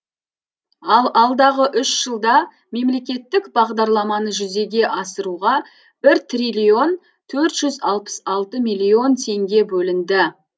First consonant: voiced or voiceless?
voiced